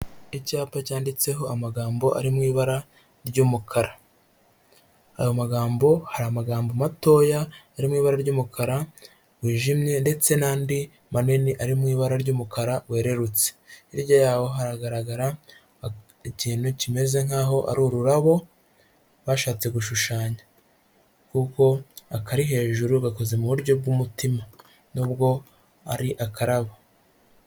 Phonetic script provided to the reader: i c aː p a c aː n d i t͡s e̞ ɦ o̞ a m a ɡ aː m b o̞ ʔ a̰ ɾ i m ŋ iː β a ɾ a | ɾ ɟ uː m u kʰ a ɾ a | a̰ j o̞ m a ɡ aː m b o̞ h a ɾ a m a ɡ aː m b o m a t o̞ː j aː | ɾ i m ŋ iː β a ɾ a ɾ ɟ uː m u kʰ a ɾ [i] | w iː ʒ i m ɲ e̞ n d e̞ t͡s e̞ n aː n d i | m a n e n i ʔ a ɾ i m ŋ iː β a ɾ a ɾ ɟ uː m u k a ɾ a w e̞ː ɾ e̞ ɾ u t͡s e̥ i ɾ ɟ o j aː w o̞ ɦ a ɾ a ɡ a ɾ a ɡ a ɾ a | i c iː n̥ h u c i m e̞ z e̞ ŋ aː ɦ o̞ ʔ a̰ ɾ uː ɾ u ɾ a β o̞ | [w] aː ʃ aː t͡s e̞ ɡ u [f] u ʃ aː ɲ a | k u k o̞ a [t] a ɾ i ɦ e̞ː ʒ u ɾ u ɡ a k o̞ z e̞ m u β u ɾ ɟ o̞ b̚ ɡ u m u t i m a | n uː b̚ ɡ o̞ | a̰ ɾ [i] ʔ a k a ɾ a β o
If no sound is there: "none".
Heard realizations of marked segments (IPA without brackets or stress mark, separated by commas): a, β, ʃ, k, i